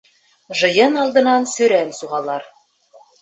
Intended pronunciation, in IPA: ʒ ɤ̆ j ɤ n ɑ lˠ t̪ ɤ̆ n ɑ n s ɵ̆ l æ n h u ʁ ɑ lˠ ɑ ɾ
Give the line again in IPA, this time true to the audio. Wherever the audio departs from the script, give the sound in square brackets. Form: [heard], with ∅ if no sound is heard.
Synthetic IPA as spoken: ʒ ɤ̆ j ɤ n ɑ lˠ [d̪] ɤ̆ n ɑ n s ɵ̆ [ɾ] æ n [s] u ʁ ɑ lˠ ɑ ɾ